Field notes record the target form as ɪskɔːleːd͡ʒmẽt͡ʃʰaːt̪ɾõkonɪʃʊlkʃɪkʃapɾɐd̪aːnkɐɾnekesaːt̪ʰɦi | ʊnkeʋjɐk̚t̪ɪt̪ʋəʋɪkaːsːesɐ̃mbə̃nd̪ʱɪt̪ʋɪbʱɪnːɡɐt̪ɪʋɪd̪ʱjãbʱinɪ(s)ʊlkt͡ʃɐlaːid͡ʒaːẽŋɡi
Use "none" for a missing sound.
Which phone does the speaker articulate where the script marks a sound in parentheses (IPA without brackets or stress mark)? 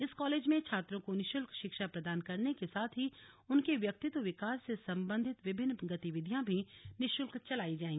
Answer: ʃ